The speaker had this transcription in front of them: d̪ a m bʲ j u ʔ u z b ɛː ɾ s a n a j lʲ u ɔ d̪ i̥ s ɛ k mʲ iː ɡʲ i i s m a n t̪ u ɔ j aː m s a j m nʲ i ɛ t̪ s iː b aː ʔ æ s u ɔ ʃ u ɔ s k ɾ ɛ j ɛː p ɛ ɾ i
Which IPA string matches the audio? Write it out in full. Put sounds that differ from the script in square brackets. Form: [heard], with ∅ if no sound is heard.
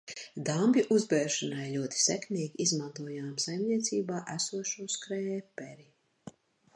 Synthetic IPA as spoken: d̪ a m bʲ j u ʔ u z b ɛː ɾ [ʃ] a n a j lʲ u ɔ [t̪] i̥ s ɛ k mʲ iː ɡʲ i i [z] m a n t̪ u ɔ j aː m s a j m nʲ i ɛ t̪ s iː b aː ʔ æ s u ɔ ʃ u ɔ s k ɾ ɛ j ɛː p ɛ ɾ i

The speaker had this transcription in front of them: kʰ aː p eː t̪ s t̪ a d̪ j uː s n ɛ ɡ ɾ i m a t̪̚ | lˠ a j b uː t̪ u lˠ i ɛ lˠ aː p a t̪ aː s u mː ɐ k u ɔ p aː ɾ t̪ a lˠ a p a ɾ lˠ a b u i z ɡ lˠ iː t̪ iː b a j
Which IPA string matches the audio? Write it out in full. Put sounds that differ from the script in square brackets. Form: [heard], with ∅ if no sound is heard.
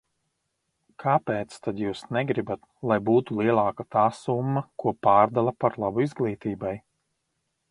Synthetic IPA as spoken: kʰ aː p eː t̪ s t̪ a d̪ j uː s n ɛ ɡ ɾ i [b] a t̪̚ | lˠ a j b uː t̪ u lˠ i ɛ lˠ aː [k] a t̪ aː s u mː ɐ k u ɔ p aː ɾ [d̪] a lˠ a p a ɾ lˠ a b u i z ɡ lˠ iː t̪ iː b a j

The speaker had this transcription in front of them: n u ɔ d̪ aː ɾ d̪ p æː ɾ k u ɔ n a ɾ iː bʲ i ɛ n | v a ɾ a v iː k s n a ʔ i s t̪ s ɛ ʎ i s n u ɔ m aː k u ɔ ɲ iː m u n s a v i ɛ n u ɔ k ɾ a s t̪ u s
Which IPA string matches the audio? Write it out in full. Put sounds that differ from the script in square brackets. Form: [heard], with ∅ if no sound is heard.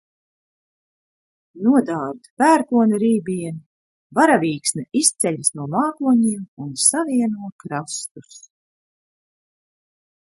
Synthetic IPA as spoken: n u ɔ d̪ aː ɾ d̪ p æː ɾ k u ɔ n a ɾ iː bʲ i ɛ n | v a ɾ a v iː k s n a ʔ i s t̪ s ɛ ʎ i s n u ɔ m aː k u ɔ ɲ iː m u n s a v i ɛ n u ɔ k ɾ a s t̪ u s

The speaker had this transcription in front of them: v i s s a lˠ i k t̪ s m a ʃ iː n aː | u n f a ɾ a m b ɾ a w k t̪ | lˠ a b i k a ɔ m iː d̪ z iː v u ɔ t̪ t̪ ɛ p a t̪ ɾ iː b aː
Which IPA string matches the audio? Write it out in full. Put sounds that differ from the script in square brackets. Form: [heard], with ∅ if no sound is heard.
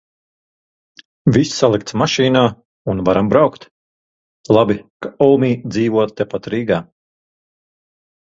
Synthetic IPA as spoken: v i s s a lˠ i k t̪ s m a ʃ iː n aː | u n [v] a ɾ a m b ɾ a w k t̪ | lˠ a b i k a ɔ m iː d̪ z iː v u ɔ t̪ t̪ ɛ p a t̪ ɾ iː [ɡ] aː

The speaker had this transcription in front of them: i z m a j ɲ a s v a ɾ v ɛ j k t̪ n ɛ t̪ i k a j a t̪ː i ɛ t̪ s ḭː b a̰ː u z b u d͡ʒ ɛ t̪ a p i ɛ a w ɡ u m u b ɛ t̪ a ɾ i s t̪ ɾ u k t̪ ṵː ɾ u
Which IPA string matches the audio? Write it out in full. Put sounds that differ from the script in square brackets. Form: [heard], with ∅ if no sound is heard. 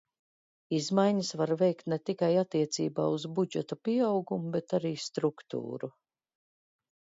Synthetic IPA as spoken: i z m a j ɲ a s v a ɾ v ɛ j k t̪ n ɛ t̪ i k a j a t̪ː i ɛ t̪ s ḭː b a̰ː u z b u d͡ʒ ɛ t̪ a p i ɛ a w ɡ u m u b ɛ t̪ a ɾ [iː] s t̪ ɾ u k t̪ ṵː ɾ u

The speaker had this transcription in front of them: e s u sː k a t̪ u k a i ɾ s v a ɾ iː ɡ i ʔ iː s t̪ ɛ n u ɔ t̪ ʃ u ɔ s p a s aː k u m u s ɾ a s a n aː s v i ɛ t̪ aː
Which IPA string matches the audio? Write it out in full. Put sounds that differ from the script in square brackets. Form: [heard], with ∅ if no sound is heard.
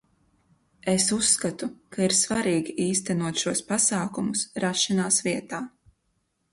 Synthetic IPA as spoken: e s u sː k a t̪ u k a i ɾ s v a ɾ iː ɡ i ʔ iː s t̪ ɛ n u ɔ t̪ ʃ u ɔ s p a s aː k u m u s ɾ a [ʃ] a n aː s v i ɛ t̪ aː

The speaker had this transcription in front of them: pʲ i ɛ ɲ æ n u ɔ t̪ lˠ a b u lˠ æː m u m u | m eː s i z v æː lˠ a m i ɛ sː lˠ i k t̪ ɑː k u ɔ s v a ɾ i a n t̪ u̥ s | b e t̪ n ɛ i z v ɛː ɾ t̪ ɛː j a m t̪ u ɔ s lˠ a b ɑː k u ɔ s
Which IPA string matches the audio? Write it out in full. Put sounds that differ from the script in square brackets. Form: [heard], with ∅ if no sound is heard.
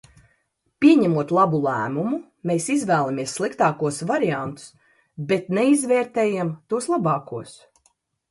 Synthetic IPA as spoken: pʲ i ɛ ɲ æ [m] u ɔ t̪ lˠ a b u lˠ æː m u m u | m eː s i z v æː lˠ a m i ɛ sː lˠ i k t̪ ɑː k u ɔ s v a ɾ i a n t̪ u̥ s | b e t̪ n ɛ i z v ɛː ɾ t̪ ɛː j a m t̪ u ɔ s lˠ a b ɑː k u ɔ s

